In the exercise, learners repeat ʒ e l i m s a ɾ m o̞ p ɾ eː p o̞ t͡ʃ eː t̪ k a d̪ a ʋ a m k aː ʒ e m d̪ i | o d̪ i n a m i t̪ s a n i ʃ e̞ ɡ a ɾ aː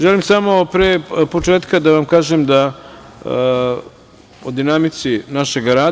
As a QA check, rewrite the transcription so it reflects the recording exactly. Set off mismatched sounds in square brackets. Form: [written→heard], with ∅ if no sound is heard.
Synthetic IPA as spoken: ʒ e l i m s a [ɾ→∅] m o̞ p ɾ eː p o̞ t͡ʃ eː t̪ k a d̪ a ʋ a m k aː ʒ e m d̪ [i→a] | o d̪ i n a m i t̪ s [a→i] n [i→a] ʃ e̞ ɡ a ɾ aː